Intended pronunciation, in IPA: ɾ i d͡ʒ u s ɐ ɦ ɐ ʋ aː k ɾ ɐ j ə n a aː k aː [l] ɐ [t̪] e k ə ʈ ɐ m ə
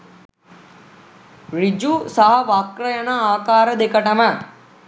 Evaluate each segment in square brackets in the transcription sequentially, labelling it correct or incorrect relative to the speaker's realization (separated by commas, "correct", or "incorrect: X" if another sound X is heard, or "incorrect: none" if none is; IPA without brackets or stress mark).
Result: incorrect: ɾ, incorrect: d̪